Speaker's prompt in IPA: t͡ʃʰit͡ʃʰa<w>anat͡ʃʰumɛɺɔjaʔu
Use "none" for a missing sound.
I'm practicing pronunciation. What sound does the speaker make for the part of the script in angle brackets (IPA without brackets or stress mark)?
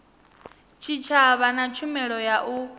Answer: β